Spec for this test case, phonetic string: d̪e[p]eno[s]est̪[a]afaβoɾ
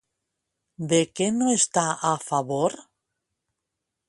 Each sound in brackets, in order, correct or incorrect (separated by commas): incorrect, incorrect, correct